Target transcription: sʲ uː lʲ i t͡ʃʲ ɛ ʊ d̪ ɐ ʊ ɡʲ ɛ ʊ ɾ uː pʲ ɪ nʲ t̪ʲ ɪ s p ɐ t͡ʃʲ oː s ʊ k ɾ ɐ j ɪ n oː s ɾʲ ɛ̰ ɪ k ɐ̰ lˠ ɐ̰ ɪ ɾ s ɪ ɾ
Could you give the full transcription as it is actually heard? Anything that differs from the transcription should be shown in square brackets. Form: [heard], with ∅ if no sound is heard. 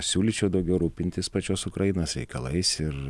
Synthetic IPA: sʲ uː lʲ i t͡ʃʲ ɛ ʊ d̪ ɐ ʊ ɡʲ ɛ ʊ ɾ uː pʲ ɪ nʲ t̪ʲ ɪ s p ɐ t͡ʃʲ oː s ʊ k ɾ ɐ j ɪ n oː s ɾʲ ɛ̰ ɪ k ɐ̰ lˠ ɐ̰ ɪ [∅] s ɪ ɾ